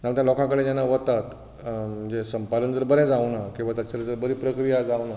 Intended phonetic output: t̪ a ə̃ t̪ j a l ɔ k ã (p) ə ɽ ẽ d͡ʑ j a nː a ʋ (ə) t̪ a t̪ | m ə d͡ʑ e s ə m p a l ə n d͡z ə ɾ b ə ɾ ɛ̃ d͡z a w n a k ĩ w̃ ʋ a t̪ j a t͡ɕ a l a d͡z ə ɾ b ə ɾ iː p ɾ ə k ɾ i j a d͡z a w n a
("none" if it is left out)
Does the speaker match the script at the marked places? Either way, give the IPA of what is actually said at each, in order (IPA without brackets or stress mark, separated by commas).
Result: k, ə